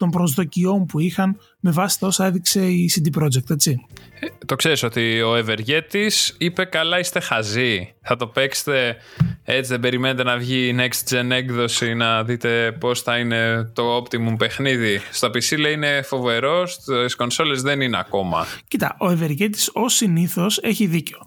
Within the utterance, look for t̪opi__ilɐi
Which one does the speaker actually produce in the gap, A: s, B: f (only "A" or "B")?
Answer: A